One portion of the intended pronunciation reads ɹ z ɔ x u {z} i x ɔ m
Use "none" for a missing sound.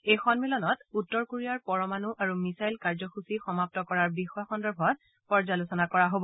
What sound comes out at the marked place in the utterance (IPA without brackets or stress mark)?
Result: s